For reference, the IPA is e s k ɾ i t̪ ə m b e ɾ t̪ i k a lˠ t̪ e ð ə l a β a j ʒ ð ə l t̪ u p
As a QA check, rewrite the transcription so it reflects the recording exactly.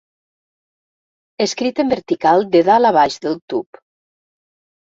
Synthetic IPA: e s k ɾ i t̪ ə m b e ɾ t̪ i k a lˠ d̪ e ð a l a β a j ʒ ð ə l t̪ u p